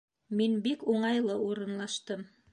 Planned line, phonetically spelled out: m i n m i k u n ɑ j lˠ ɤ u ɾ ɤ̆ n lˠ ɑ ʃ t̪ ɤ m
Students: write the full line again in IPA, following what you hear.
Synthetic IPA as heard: m i n b i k u ɴ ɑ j lˠ ɤ u ɾ ɤ̆ n lˠ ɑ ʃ t̪ ɤ m

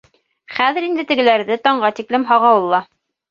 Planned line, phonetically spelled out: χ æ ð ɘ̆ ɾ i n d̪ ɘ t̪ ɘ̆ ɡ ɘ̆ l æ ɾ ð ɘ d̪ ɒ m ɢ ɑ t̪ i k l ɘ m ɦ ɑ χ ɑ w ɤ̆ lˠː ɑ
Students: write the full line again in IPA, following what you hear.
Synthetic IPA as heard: χ æ ð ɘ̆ ɾ i n d̪ ɘ t̪ ɘ̆ ɡ ɘ̆ l æ ɾ ð ɘ t̪ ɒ ɴ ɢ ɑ t̪ i k l ɘ m ɦ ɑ ʁ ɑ w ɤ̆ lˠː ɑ

